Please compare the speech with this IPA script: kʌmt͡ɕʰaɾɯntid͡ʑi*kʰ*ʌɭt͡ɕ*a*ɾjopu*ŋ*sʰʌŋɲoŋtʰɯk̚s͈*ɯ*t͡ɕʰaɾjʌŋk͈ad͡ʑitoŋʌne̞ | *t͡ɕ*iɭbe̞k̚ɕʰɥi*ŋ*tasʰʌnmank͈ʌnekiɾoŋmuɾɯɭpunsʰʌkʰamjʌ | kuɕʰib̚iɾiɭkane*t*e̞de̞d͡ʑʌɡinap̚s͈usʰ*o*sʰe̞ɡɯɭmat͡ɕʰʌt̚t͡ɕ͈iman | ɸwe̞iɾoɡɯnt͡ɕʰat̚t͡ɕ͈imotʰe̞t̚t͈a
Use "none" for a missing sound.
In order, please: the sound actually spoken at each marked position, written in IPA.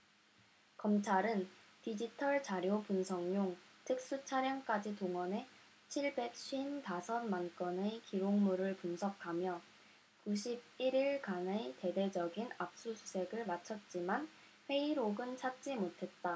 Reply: tʰ, a, n, u, t͡ɕʰ, n, t, u

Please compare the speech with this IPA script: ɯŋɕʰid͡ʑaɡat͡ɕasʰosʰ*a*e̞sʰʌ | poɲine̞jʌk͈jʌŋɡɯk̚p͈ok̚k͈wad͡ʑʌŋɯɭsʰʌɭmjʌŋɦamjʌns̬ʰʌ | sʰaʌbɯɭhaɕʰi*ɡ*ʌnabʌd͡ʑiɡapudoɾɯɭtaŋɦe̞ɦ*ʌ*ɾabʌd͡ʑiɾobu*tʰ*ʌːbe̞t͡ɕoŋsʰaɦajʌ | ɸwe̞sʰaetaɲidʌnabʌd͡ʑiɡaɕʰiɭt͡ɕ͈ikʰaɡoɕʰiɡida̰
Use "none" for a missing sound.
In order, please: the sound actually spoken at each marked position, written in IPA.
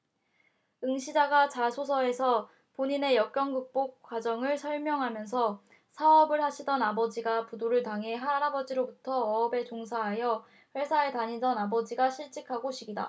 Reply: ʌ, d, a, tʰ

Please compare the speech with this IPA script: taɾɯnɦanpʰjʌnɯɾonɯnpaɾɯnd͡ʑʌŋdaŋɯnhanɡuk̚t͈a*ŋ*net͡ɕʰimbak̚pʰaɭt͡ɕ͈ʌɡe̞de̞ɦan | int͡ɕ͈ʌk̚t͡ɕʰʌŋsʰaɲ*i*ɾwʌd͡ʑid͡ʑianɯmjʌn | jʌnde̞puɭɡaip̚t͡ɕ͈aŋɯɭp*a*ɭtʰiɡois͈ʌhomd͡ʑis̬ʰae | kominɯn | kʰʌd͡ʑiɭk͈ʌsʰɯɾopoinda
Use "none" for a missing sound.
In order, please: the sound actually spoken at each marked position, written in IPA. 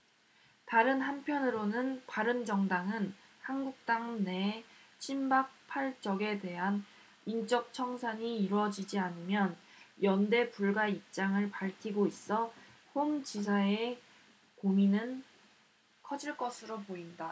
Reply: ŋ, iː, a

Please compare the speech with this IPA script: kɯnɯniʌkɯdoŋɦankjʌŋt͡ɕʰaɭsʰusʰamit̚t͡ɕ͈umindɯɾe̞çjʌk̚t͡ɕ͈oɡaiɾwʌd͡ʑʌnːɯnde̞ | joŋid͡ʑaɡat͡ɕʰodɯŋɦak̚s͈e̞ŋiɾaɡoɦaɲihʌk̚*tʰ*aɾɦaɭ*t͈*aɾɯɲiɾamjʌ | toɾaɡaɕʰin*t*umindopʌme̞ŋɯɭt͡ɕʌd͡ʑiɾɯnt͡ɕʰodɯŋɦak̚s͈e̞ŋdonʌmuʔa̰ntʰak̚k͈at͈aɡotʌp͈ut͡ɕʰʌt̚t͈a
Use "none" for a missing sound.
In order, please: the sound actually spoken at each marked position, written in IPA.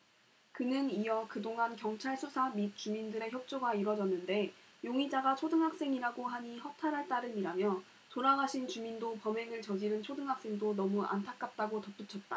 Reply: tʰ, t͈, t͡ɕ

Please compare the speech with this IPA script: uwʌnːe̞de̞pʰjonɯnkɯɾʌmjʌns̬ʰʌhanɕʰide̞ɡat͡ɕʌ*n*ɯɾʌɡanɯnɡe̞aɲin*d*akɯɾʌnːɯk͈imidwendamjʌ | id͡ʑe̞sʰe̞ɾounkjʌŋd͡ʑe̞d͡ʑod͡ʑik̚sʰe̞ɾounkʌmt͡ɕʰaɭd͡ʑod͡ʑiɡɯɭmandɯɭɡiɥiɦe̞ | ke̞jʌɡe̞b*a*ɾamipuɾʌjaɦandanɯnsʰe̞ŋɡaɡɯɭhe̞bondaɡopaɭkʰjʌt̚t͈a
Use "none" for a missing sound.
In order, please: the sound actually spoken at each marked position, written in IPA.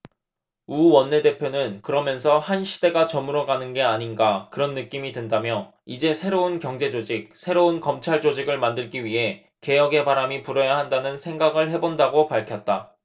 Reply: m, ɡ, a

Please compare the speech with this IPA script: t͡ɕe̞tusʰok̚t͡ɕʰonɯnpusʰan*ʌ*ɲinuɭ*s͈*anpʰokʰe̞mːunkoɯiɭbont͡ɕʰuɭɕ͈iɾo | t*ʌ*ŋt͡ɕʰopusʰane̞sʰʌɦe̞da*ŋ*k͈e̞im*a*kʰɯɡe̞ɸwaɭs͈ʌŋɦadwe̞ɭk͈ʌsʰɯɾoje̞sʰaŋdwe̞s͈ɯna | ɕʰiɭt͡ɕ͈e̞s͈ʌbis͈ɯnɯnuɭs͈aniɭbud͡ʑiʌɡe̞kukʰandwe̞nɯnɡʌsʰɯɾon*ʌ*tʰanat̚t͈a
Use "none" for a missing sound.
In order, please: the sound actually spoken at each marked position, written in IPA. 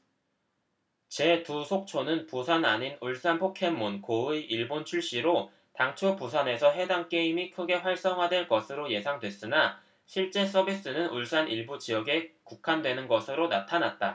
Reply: a, s͈, a, ŋ, i, a

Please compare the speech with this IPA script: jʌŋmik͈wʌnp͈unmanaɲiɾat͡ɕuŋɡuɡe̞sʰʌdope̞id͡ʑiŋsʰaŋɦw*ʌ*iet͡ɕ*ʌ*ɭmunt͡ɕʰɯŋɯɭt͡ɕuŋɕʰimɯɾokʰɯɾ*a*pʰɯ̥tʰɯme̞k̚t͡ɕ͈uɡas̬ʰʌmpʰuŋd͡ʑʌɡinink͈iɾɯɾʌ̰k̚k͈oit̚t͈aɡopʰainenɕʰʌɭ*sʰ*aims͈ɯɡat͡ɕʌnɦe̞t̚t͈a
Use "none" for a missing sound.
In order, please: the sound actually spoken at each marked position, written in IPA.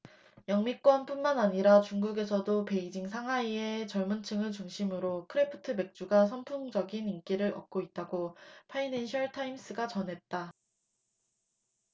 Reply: a, ʌ, e, tʰ

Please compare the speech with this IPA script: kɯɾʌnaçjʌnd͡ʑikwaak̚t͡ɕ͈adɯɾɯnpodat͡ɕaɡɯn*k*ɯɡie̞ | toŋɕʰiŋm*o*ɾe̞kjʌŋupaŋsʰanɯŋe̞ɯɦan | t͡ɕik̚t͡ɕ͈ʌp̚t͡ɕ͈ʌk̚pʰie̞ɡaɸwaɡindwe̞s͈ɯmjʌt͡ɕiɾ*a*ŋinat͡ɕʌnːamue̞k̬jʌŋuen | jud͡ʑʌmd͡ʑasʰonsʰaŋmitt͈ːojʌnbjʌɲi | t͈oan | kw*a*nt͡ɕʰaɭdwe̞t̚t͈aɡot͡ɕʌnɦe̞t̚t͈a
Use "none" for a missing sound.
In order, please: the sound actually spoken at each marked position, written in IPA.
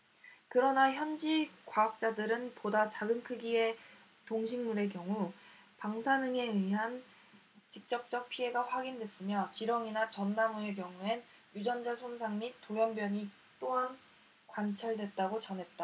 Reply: kʰ, u, ʌ, a

